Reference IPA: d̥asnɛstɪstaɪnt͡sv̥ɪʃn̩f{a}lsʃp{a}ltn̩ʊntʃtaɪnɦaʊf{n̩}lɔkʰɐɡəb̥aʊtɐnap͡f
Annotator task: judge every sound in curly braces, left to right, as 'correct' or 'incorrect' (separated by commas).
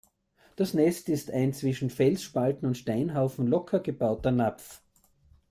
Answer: incorrect, correct, correct